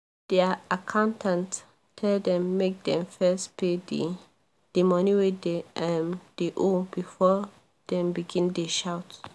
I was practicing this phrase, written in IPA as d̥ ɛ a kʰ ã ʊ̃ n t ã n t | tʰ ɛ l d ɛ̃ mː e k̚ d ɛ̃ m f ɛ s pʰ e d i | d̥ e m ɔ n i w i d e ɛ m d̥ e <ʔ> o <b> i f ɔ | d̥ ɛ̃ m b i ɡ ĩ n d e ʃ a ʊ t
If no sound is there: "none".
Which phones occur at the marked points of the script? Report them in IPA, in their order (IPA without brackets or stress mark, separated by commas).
ʔ, b